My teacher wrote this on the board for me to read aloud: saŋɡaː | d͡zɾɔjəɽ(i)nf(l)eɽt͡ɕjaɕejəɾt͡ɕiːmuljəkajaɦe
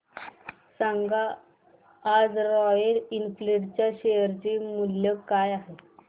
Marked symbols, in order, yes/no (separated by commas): yes, yes